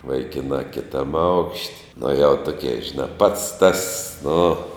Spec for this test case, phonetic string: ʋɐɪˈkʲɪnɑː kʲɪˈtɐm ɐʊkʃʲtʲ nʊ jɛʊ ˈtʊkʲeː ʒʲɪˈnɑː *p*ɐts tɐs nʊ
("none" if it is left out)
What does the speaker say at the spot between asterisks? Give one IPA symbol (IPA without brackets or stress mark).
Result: p